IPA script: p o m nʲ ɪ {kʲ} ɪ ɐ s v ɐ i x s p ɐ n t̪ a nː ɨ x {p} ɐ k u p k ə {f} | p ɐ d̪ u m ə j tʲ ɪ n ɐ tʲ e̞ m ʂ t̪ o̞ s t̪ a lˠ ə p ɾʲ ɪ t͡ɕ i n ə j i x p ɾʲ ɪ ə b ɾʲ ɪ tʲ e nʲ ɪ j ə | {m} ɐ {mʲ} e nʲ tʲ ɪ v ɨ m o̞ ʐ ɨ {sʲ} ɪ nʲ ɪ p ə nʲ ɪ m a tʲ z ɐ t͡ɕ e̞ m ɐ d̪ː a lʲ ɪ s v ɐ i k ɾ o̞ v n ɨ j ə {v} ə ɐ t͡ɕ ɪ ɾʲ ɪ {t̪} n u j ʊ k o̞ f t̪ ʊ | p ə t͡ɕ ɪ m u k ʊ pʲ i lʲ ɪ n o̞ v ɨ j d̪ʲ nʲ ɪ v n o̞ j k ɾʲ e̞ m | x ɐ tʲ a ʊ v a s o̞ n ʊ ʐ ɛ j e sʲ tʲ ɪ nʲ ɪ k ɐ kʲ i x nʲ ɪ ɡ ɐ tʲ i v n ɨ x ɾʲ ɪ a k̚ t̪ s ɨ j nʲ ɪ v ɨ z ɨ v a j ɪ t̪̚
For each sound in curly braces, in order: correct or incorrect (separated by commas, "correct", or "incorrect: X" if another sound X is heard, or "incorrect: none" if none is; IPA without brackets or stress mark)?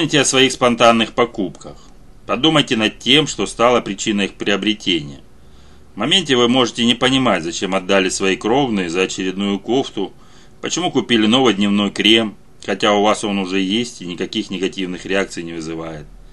incorrect: tʲ, correct, incorrect: x, correct, correct, incorrect: tʲ, incorrect: z, incorrect: d̪